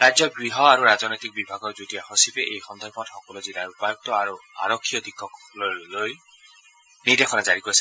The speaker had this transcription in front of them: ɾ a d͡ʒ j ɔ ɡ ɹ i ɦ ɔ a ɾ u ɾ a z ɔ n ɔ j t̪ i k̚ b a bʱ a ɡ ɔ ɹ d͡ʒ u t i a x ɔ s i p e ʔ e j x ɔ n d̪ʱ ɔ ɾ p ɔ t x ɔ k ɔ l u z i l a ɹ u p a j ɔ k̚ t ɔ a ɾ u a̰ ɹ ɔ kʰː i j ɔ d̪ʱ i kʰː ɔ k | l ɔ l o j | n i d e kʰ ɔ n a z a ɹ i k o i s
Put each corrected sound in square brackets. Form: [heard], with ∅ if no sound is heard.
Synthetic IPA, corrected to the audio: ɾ a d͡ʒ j ɔ ɡ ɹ i ɦ ɔ a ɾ u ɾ a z ɔ n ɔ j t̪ i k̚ b [i] bʱ a ɡ ɔ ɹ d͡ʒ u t i a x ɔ s i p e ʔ e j x ɔ n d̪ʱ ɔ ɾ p ɔ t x ɔ k ɔ l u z i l a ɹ u p a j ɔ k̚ t ɔ a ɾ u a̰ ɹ ɔ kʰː i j ɔ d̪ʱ i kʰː ɔ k | l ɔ l o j | n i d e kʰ ɔ n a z a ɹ i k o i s